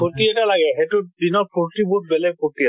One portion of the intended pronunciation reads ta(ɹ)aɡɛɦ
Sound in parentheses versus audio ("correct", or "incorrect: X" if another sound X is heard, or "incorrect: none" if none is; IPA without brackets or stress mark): incorrect: l